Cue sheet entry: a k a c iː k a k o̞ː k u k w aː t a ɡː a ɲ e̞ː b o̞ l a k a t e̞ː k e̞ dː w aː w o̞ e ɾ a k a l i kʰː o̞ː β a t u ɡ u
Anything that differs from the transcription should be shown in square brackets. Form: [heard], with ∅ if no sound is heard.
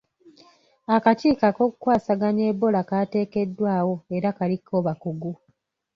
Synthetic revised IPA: a k a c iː k a k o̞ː k u k w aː [s] a [ɡ] a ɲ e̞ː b o̞ l a k a t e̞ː k e̞ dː w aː w o̞ e ɾ a k a l i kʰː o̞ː β a [k] u ɡ u